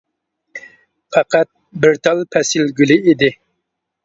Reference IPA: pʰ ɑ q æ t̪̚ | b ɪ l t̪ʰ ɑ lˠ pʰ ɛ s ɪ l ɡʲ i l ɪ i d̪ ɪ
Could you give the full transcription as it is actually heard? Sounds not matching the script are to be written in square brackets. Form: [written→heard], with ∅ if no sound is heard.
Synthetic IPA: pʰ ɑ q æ t̪̚ | b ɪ [l→ɾ] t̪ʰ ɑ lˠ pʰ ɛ s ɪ l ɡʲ [i→y] l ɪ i d̪ ɪ